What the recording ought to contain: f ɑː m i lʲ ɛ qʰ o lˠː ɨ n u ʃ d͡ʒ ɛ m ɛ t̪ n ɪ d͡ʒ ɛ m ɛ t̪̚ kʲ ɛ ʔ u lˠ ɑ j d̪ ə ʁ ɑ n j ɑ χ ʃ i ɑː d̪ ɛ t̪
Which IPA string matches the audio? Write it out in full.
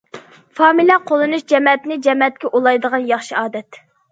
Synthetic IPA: f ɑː m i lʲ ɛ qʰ o lˠ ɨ n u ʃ d͡ʒ ɛ m ɛ t̪ n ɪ d͡ʒ ɛ m ɛ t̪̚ kʲ ɛ ʔ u lˠ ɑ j d̪ ə ʁ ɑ n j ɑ χ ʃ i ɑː d̪ ɛ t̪